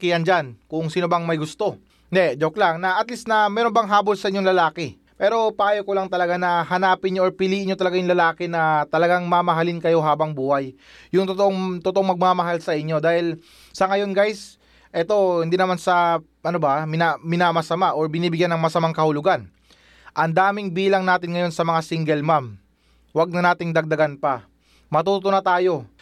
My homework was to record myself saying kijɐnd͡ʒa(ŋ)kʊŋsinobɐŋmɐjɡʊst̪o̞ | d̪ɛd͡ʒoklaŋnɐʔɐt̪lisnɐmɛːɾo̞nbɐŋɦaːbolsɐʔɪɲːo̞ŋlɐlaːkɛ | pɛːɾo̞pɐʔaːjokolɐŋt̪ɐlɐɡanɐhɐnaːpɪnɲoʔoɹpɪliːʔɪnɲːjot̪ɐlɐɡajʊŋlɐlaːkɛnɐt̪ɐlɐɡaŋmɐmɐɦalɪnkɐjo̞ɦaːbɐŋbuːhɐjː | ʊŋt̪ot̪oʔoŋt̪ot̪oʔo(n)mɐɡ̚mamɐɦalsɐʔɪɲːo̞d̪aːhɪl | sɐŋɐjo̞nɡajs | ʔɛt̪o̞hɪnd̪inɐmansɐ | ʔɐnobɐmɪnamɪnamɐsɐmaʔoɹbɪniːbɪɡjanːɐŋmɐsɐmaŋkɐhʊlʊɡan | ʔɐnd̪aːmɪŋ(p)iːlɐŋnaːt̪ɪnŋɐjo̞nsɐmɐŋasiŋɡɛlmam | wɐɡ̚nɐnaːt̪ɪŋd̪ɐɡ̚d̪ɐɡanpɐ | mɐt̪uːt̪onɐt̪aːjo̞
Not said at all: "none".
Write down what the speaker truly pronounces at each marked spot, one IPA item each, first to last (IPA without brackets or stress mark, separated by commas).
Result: n, ŋ, b